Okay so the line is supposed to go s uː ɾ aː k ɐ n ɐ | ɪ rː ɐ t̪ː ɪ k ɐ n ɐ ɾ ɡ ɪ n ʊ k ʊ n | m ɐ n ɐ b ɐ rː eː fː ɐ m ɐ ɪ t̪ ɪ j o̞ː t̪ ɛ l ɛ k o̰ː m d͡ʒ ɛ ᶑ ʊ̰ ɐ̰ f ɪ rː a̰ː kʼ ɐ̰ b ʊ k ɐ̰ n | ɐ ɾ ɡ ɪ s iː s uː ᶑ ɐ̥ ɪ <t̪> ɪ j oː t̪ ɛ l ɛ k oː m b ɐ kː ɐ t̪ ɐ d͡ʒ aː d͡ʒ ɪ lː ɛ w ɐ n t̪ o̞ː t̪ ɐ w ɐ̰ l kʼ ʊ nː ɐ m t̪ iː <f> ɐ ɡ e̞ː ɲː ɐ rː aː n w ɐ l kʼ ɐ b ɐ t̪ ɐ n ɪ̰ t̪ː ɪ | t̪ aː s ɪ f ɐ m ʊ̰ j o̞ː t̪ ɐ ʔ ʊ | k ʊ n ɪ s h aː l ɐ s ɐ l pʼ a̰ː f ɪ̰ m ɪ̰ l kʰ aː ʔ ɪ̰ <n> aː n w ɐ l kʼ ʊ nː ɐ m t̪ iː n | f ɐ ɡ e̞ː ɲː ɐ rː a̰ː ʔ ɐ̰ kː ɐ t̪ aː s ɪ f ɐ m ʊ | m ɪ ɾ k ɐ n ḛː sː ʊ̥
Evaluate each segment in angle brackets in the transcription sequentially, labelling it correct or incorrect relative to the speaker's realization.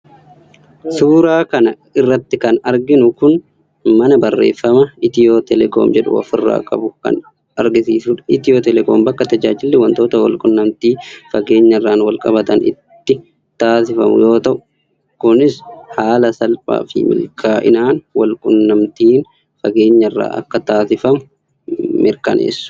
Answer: correct, correct, correct

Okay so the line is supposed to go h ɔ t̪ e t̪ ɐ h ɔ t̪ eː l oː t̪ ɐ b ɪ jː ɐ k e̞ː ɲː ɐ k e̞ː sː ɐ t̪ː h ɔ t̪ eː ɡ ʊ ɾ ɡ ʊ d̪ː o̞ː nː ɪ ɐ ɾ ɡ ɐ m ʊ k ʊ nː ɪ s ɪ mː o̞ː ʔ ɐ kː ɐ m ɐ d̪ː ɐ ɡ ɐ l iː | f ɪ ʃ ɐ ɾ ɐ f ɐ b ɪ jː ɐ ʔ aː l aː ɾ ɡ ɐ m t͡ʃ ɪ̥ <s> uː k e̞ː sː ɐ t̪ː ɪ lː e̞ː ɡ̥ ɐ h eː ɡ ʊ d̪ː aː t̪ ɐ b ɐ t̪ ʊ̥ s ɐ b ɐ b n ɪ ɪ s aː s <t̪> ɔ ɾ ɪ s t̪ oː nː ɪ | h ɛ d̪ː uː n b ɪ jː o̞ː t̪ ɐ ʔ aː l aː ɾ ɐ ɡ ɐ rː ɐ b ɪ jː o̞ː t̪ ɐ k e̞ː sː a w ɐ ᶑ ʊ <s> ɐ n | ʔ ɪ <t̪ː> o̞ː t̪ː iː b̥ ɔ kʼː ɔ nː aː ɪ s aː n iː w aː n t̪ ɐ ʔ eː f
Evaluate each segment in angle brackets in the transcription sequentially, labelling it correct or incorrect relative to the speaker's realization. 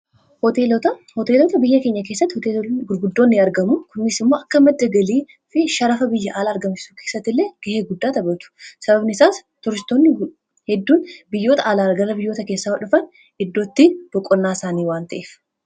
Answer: correct, correct, incorrect: f, incorrect: d̪ː

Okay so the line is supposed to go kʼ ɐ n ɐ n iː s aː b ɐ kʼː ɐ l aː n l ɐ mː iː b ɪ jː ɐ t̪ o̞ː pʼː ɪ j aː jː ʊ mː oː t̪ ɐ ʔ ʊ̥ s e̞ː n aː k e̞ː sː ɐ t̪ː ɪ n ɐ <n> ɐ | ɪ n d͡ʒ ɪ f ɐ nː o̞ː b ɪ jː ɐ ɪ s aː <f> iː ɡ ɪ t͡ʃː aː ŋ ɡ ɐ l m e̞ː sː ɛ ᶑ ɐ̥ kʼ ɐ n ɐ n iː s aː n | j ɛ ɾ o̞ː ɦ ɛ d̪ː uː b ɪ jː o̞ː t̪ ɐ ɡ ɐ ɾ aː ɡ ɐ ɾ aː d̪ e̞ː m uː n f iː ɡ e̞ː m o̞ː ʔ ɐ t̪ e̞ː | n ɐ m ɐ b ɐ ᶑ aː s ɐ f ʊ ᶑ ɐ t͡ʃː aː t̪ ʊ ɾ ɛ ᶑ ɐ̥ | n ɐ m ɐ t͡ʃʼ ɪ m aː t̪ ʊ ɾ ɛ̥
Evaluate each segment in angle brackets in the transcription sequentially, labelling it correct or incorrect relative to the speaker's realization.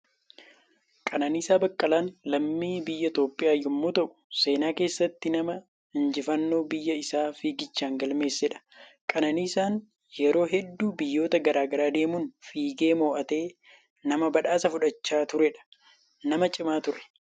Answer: incorrect: m, correct

